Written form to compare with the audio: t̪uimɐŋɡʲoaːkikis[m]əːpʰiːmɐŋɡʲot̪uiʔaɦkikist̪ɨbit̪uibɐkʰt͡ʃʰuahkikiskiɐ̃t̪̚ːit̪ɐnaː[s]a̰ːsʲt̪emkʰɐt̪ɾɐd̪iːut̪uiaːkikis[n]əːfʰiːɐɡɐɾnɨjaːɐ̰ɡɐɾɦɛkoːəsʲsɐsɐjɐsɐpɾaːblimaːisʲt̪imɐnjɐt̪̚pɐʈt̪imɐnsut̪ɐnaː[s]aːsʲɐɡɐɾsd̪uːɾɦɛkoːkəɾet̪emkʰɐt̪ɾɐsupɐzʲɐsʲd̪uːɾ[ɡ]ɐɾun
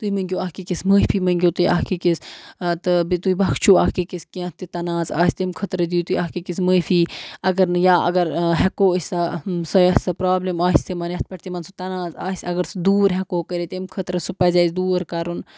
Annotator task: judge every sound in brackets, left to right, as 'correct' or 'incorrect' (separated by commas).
correct, incorrect, incorrect, incorrect, incorrect